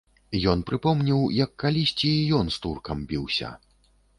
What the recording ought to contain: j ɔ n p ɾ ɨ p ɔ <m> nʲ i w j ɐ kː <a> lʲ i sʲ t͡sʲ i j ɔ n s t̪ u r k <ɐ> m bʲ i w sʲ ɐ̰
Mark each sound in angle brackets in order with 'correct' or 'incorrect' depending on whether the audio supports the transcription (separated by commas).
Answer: correct, correct, correct